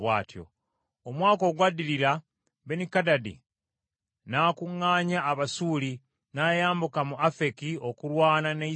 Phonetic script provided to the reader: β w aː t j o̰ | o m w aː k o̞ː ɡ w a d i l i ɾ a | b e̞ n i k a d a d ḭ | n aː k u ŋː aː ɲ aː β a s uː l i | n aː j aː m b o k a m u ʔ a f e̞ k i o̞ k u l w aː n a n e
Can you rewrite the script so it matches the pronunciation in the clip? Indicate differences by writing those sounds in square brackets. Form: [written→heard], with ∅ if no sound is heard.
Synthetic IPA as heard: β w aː t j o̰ | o m w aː k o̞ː ɡ w a d i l i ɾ a | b e̞ n i k a d a d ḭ | n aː k u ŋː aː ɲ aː β a s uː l i | n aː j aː m b [o→u] k a m u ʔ a f e̞ k i o̞ k u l w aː n a n e